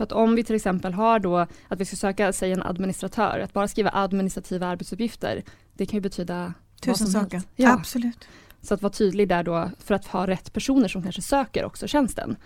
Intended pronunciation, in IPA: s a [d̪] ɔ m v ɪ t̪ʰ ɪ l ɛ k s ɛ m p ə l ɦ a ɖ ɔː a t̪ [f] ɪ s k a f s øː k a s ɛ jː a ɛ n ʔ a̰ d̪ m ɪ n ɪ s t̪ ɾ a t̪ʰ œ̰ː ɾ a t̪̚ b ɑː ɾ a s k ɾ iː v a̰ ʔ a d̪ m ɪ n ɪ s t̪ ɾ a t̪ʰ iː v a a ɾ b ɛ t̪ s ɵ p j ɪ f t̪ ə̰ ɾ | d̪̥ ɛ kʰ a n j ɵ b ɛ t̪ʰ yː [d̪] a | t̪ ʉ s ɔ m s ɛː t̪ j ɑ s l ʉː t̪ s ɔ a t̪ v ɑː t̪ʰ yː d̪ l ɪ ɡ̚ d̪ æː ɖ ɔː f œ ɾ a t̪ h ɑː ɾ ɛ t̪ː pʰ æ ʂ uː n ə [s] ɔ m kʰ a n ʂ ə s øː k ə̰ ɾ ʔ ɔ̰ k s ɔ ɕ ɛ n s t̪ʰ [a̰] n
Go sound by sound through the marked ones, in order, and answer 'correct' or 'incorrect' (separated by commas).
incorrect, incorrect, correct, incorrect, incorrect